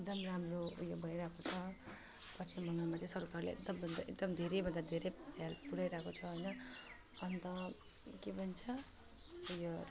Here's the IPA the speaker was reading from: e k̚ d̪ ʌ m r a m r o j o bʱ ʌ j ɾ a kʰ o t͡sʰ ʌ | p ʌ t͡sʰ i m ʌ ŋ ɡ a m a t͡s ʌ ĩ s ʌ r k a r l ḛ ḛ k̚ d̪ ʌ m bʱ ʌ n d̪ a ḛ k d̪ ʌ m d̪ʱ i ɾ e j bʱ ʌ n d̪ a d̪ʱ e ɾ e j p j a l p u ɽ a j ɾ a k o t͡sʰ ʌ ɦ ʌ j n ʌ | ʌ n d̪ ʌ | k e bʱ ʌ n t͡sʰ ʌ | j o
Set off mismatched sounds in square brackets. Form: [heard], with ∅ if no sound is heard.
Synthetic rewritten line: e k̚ d̪ ʌ m r a m r o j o bʱ ʌ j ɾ a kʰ o t͡sʰ ʌ | p ʌ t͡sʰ i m ʌ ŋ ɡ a m a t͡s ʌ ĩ s ʌ r k a r l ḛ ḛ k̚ d̪ ʌ m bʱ ʌ n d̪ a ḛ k d̪ ʌ m d̪ʱ [e] ɾ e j bʱ ʌ n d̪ a d̪ʱ e ɾ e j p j a l p u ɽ a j ɾ a k o t͡sʰ ʌ ɦ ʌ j n ʌ | ʌ n [t̪] ʌ | k e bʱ ʌ n t͡sʰ ʌ | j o